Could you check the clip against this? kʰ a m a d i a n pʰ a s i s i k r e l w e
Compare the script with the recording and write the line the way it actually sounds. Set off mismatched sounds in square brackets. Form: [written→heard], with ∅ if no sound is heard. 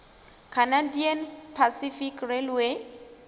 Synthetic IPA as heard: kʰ a [m→n] a d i a n pʰ a s i [s→f] i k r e l w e